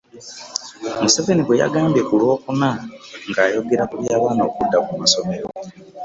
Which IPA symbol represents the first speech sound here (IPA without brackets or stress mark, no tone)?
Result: m